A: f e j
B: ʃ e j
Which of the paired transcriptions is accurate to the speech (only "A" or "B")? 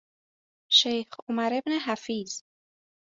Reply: B